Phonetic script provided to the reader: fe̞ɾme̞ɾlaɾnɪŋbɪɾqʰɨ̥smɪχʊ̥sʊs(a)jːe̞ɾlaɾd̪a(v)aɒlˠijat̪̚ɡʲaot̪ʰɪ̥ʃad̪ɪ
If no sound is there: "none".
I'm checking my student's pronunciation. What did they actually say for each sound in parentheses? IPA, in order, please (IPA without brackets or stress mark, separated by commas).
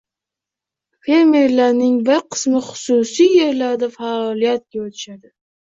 i, f